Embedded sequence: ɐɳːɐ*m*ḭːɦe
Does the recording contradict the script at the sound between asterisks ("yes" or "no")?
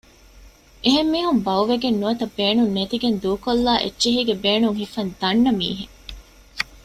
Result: no